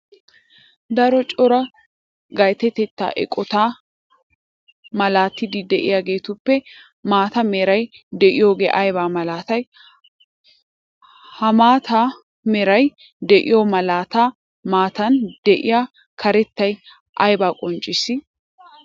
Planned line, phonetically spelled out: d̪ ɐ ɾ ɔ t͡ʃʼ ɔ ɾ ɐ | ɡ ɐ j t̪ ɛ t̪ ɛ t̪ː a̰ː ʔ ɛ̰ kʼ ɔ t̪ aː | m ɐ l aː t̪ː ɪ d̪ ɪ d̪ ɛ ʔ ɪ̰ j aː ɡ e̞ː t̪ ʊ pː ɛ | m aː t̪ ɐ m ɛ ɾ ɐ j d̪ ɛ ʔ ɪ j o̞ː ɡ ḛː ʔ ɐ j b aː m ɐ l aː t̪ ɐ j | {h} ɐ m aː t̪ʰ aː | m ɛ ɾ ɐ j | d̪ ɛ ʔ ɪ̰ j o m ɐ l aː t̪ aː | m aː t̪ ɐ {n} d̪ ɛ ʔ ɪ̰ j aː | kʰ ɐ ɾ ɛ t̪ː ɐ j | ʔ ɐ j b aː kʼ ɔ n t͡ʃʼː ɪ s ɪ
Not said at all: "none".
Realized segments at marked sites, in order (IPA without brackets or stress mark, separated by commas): h, n